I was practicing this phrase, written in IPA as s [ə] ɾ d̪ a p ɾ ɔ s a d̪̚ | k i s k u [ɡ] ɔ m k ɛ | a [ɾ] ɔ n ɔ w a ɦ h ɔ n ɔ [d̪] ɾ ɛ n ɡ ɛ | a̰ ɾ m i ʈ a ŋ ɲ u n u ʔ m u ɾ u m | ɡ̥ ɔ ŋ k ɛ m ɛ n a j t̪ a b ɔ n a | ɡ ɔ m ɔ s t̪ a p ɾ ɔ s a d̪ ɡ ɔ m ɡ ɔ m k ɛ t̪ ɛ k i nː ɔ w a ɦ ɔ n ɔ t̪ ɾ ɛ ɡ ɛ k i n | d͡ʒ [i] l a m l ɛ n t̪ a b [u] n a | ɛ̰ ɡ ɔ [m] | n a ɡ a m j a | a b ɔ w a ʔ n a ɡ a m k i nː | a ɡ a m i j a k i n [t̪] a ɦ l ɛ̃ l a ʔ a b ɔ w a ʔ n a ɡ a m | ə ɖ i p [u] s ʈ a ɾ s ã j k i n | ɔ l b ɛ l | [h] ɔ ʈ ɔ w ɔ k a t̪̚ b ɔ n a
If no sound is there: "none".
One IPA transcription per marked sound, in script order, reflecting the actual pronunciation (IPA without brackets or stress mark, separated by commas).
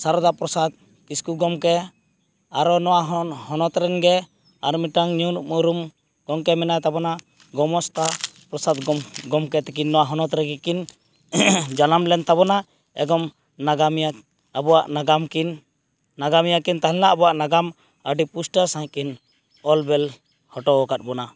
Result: a, ɡ, ɾ, t̪, a, ɔ, m, t̪, u, h